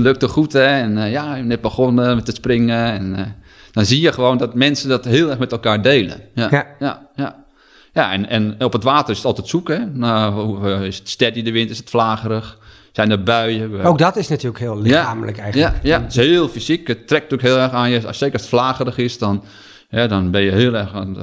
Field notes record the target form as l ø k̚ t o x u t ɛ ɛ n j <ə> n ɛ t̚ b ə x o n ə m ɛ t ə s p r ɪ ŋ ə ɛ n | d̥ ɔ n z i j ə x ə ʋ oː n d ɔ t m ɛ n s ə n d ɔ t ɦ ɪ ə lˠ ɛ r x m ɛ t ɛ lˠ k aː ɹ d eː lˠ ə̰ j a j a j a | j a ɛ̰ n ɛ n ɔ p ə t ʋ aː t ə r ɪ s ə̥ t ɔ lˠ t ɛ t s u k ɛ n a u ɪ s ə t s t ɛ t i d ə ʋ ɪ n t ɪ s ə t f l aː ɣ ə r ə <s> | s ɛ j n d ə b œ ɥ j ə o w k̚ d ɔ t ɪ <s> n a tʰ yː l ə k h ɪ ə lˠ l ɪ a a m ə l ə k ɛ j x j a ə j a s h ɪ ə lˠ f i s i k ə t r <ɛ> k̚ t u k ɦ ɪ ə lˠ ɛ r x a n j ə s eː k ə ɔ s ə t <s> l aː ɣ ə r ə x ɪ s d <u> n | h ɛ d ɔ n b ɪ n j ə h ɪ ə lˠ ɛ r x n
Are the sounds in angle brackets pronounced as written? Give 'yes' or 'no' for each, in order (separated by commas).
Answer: no, no, yes, yes, no, no